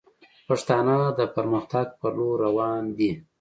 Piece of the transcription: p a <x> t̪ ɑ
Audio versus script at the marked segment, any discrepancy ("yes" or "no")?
yes